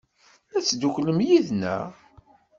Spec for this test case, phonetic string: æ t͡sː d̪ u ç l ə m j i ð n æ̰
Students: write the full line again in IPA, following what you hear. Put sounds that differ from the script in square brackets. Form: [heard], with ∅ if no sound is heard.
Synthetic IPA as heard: æ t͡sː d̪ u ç l ə m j i ð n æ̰